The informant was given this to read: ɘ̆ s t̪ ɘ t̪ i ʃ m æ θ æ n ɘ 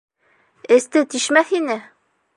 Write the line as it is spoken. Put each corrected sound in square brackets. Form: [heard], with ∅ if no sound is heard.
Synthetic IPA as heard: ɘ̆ s t̪ ɘ t̪ i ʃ m æ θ [i] n ɘ